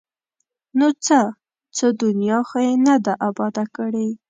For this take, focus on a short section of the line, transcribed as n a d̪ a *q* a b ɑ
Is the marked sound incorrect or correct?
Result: incorrect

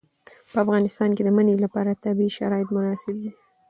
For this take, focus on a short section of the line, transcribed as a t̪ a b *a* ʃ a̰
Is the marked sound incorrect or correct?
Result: incorrect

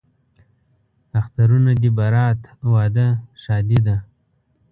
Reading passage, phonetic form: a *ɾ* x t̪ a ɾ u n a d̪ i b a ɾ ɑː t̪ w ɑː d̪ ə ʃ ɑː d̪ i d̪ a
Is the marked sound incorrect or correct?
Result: incorrect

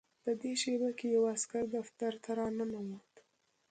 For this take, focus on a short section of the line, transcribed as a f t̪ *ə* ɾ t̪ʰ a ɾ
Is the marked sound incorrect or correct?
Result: incorrect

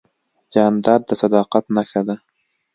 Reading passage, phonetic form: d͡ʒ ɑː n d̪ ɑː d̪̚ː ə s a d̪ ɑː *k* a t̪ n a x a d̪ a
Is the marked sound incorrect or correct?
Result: incorrect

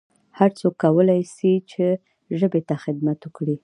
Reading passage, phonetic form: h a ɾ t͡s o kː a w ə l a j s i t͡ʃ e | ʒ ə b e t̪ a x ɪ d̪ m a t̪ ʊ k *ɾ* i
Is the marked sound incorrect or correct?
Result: incorrect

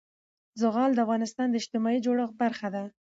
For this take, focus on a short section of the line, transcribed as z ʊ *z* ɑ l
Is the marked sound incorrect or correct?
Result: incorrect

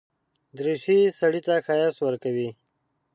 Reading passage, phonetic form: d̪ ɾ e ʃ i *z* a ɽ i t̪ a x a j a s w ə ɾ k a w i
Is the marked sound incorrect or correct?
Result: incorrect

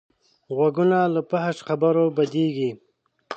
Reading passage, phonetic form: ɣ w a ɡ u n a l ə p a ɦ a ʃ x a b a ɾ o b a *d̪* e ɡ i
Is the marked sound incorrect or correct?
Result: correct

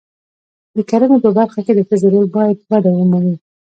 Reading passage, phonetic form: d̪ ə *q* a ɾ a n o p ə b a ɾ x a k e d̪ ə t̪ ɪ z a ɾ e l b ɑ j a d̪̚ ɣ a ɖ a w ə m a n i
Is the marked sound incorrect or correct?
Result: incorrect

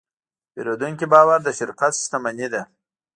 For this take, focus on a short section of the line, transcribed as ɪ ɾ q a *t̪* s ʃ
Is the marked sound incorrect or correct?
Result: correct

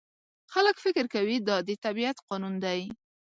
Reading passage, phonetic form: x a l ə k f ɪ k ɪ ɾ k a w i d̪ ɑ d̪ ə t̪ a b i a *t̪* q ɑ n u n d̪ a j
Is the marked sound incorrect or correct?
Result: correct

